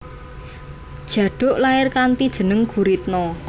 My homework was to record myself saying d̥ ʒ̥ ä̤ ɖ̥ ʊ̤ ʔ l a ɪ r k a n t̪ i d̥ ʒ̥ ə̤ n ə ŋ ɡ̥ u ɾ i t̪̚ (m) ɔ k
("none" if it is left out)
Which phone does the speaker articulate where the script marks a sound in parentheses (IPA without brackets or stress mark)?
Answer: n